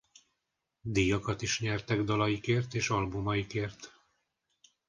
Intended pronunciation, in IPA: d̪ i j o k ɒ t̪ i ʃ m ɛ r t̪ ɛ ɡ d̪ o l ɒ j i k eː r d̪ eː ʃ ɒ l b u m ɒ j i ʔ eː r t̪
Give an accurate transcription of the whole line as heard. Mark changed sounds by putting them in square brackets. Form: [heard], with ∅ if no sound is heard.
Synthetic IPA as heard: d̪ i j [ɒ] k ɒ t̪ i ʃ [ɲ] ɛ r t̪ ɛ ɡ d̪ [ɒ] l ɒ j i k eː r [t̪] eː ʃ ɒ l b u m ɒ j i [k] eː r t̪